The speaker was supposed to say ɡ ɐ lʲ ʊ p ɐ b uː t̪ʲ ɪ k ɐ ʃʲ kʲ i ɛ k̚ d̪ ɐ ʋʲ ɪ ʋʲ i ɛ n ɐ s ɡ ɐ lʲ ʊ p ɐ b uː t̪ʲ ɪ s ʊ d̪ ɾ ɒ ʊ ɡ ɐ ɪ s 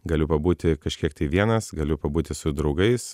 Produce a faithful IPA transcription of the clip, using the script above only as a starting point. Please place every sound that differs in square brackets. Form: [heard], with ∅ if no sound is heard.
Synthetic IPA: ɡ ɐ lʲ ʊ p ɐ b uː t̪ʲ ɪ k ɐ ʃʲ kʲ i ɛ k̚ [t̪] ɐ [∅] ɪ ʋʲ i ɛ n ɐ s ɡ ɐ lʲ ʊ p ɐ b uː t̪ʲ ɪ s ʊ d̪ ɾ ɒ ʊ ɡ ɐ ɪ s